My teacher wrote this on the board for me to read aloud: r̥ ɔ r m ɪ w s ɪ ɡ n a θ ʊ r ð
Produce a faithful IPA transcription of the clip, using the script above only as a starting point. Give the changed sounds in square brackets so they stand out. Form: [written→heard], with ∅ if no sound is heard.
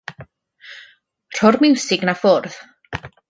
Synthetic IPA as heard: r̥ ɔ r m ɪ w s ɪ ɡ n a [θ→f] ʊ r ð

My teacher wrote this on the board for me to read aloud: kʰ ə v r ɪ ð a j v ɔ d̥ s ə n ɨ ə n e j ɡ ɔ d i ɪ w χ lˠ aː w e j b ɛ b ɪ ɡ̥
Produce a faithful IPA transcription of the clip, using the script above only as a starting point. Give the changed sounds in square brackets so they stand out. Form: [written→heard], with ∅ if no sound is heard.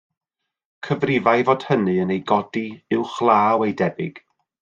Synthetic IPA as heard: kʰ ə v r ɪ [ð→v] a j v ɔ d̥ [s→h] ə n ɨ ə n e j ɡ ɔ d i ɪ w χ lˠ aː w e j [b→d] ɛ b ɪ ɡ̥

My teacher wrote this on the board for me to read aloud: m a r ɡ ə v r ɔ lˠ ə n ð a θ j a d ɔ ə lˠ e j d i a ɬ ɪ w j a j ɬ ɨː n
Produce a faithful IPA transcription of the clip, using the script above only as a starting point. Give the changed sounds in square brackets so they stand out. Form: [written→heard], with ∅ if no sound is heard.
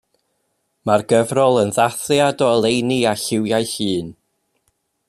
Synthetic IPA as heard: m a r ɡ ə v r ɔ lˠ ə n ð a θ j a d ɔ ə lˠ e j [d→n] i a ɬ ɪ w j a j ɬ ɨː n

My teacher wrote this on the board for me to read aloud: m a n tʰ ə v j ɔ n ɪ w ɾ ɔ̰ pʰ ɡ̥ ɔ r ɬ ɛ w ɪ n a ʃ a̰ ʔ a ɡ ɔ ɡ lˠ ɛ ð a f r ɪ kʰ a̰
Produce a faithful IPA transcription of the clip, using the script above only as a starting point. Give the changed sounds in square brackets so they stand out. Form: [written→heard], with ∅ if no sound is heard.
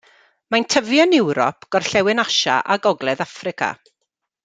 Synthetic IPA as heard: m a n tʰ ə v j ɔ n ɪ w ɾ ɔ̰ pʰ ɡ̥ ɔ r ɬ ɛ w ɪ n a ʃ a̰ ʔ a ɡ ɔ ɡ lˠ ɛ ð a f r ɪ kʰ a̰

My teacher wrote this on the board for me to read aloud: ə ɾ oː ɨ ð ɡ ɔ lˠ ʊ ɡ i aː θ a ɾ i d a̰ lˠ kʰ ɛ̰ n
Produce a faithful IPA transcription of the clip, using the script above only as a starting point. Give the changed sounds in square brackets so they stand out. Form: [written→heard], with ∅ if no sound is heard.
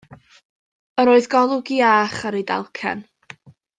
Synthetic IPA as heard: ə ɾ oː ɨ ð ɡ ɔ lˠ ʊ ɡ i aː [θ→χ] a ɾ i d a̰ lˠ kʰ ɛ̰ n

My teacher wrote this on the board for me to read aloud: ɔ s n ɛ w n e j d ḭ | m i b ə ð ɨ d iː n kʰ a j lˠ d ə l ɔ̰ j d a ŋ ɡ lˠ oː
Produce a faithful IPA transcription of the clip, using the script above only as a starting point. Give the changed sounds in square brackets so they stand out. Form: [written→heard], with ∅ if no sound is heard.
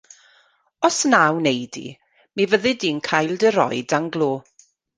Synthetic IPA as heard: ɔ s n [ɛ→a] w n e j d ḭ | m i [b→v] ə ð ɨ d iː n kʰ a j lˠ d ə [l→ɾ] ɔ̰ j d a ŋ ɡ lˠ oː

